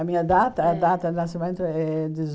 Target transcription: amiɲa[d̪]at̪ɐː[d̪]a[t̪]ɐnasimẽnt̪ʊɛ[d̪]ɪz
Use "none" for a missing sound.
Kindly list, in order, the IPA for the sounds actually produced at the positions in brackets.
d̪, d̪, t̪, d̪

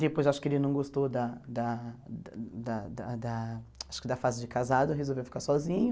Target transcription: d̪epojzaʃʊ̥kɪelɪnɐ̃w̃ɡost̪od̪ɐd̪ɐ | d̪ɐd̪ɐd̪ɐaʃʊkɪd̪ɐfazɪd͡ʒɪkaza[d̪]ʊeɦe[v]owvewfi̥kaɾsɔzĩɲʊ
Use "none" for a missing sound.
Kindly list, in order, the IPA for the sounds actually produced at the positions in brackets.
d̪, z

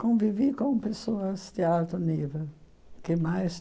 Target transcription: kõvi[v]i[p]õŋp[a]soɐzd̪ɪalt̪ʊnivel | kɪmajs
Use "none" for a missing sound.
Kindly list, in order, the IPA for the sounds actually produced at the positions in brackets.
v, k, e

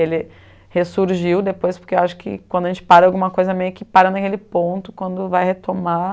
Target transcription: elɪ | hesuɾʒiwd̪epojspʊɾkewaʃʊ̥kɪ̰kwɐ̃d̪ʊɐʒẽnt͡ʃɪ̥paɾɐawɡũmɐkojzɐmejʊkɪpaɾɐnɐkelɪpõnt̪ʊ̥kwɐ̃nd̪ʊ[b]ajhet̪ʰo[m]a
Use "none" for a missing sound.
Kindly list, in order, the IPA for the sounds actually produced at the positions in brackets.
v, m

